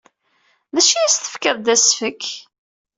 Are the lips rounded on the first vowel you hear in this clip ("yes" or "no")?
no